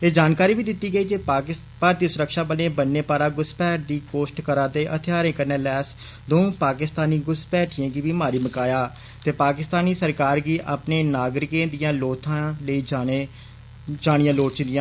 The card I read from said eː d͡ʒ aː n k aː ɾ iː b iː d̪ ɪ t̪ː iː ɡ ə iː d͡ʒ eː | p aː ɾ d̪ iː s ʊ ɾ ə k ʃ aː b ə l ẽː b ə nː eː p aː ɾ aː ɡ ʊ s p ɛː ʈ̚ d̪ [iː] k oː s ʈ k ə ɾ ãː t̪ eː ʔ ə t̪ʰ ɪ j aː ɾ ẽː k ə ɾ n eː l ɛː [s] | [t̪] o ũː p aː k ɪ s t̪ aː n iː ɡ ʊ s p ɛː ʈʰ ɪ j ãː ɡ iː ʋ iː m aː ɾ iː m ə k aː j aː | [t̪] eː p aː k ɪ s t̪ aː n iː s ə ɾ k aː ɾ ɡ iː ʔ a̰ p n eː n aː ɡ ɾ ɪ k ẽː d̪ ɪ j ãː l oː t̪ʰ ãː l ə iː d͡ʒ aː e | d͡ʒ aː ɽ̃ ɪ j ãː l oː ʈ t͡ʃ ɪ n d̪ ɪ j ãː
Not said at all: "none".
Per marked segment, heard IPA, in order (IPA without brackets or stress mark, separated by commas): iː, s, d̪, t̪